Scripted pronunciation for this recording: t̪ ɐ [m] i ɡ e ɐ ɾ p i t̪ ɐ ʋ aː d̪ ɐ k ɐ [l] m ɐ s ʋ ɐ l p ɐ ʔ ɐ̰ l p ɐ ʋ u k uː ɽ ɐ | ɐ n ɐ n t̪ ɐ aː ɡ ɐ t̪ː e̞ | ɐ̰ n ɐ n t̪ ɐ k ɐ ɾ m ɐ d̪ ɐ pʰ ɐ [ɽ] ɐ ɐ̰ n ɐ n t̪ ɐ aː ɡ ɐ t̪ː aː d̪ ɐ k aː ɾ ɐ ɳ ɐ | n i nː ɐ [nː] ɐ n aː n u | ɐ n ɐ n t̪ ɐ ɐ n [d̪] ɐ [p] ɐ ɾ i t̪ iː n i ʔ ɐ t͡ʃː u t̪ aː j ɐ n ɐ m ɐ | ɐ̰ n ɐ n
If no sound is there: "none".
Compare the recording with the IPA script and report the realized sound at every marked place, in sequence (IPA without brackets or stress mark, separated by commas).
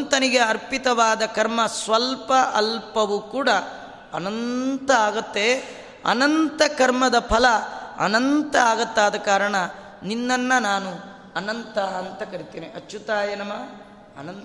n, ɾ, l, nː, t̪, k